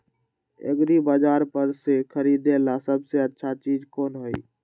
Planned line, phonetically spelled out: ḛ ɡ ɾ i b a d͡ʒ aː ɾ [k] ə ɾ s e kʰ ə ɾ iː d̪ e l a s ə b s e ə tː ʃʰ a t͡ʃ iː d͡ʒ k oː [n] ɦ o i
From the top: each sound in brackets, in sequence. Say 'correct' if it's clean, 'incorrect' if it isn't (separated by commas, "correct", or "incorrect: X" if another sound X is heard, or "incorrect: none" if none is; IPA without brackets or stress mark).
incorrect: p, correct